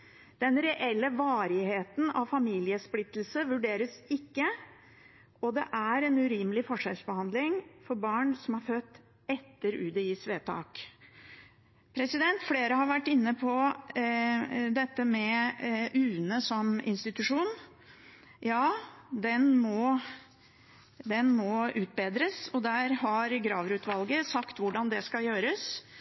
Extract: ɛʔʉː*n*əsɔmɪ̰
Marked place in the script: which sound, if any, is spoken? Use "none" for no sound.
n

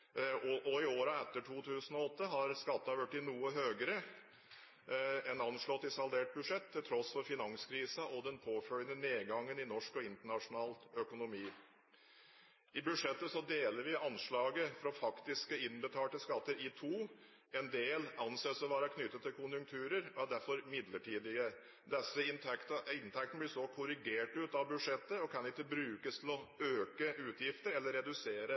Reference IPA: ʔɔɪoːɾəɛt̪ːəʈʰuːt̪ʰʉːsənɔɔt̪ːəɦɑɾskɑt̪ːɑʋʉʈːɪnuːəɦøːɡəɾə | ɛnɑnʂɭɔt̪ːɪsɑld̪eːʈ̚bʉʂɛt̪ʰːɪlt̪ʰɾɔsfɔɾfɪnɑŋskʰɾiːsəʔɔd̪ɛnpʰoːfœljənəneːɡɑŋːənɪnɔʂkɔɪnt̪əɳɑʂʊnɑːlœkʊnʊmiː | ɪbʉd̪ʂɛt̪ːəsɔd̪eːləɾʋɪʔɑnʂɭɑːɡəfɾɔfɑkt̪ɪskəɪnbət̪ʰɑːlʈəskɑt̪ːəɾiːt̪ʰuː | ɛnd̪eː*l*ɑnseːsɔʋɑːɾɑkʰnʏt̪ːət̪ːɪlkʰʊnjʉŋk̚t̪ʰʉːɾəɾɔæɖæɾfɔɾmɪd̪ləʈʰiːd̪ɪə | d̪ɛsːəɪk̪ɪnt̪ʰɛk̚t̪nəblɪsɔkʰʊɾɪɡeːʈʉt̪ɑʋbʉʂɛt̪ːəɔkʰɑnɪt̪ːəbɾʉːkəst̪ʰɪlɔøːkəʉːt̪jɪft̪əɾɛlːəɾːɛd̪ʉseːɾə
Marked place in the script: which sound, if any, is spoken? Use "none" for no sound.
l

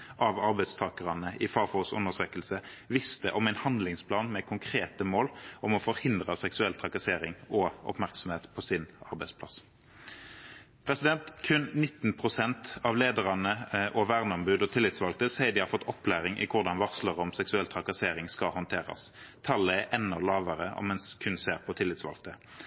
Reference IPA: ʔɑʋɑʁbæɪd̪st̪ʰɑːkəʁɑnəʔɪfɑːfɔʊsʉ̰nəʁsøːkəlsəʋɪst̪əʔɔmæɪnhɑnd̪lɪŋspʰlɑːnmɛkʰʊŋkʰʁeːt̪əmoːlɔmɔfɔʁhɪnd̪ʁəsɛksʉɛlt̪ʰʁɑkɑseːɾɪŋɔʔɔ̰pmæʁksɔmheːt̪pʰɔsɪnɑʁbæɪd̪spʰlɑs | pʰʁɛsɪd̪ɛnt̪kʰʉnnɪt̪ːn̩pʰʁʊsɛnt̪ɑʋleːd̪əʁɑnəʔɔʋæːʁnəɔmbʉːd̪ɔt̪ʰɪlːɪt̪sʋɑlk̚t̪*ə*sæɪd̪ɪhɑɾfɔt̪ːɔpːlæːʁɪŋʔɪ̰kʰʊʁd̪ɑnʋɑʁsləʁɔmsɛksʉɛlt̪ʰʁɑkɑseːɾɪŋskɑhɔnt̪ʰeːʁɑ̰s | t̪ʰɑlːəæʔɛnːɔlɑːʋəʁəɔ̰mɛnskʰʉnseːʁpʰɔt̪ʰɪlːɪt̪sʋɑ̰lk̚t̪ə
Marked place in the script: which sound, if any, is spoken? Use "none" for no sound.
ə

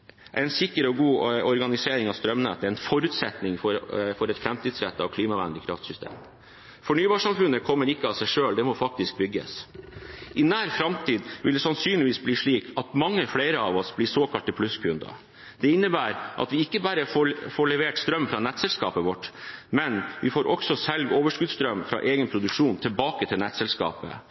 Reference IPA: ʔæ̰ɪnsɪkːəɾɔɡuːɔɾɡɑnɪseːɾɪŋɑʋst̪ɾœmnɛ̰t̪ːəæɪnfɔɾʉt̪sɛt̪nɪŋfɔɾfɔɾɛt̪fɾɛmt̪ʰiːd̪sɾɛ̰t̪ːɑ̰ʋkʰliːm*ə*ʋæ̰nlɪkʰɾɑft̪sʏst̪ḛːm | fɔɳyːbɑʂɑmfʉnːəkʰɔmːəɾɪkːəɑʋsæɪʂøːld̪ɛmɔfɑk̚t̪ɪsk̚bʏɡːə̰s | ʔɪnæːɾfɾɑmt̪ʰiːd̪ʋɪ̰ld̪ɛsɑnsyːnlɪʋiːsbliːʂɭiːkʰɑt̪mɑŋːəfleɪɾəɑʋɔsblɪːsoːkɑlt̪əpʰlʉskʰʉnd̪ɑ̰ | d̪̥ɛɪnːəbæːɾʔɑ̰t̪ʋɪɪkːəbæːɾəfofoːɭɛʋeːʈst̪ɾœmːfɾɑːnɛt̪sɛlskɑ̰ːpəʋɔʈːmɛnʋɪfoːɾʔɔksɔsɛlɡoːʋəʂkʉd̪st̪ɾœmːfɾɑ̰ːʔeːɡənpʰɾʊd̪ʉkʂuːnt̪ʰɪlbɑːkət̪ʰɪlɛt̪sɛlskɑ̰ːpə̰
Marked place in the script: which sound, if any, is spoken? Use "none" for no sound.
ɑ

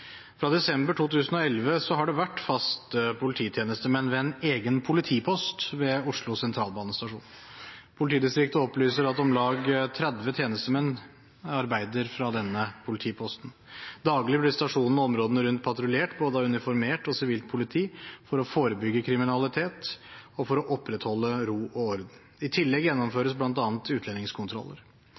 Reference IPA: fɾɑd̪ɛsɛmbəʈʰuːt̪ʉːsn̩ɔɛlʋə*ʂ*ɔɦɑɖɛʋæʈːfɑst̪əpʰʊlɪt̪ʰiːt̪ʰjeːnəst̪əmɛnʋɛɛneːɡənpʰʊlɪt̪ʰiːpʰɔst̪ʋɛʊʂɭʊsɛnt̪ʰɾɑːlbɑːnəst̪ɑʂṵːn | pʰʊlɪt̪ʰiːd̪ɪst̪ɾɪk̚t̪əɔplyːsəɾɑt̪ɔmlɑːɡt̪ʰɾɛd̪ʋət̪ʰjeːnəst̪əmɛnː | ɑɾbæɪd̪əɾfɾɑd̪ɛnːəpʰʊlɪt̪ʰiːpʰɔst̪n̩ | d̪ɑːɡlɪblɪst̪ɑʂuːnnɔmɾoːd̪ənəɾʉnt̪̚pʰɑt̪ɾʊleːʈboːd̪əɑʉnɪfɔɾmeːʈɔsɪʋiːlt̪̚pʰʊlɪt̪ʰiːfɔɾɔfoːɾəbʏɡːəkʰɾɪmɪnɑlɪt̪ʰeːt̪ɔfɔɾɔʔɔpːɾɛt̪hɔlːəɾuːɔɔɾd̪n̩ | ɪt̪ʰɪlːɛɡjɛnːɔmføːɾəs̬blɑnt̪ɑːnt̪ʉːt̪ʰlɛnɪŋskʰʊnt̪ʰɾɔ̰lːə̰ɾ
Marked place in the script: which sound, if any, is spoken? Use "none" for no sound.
s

